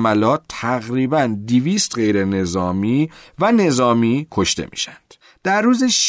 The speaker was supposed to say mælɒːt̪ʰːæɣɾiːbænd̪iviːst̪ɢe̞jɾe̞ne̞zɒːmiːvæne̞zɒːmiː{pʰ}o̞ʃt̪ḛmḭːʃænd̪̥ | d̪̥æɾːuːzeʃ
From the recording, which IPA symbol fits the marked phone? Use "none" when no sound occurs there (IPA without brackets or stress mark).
kʰ